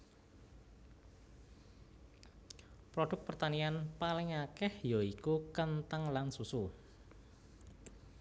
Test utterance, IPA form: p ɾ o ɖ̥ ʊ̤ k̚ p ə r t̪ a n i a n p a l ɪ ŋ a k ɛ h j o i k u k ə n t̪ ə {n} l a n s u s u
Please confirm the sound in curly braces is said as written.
no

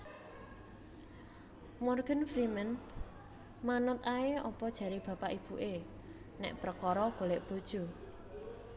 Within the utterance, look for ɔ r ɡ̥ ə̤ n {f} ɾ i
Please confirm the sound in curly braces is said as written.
yes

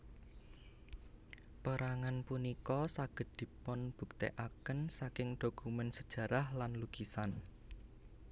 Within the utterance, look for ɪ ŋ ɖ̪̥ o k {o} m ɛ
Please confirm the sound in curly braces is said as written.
no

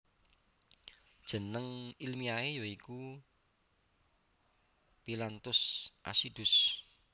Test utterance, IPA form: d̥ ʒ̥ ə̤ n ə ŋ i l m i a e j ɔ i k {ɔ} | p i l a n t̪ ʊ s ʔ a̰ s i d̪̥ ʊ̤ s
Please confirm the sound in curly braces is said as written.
no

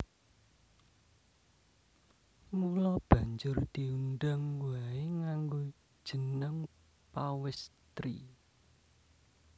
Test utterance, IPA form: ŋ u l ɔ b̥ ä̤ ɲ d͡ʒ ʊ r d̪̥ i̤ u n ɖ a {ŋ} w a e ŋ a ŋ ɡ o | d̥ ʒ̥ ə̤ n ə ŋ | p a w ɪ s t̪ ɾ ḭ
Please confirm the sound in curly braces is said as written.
yes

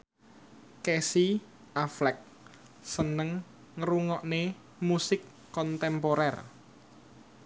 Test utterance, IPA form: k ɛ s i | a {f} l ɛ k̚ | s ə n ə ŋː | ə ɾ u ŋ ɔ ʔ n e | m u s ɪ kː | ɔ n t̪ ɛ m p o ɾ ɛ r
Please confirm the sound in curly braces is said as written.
yes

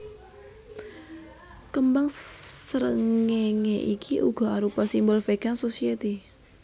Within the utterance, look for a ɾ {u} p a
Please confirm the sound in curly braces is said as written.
yes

